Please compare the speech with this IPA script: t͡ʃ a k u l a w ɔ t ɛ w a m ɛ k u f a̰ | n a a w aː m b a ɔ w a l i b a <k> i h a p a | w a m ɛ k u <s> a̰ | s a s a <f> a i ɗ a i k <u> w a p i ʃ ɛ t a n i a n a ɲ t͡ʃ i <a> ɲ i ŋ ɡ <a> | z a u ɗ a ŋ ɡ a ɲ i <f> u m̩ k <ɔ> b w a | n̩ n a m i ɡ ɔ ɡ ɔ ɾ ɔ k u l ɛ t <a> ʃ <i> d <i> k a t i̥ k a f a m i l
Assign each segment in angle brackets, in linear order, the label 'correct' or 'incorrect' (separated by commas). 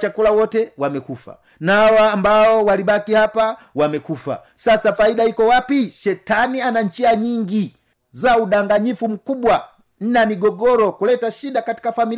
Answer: correct, incorrect, correct, incorrect, correct, incorrect, correct, incorrect, correct, correct, incorrect